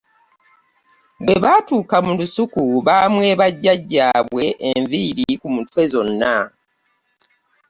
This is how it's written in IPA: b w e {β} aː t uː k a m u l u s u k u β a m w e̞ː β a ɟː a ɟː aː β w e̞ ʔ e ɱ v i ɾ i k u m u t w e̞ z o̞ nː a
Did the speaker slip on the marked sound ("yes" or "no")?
no